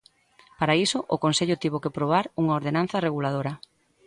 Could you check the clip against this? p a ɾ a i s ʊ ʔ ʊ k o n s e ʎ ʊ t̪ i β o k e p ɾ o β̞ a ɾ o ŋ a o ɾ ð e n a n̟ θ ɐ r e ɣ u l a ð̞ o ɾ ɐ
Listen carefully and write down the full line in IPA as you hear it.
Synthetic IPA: p a ɾ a i s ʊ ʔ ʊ k o n s e ʎ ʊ t̪ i β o k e p ɾ o β̞ a ɾ u ŋ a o ɾ ð e n a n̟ θ ɐ r e ɣ u l a ð̞ o ɾ ɐ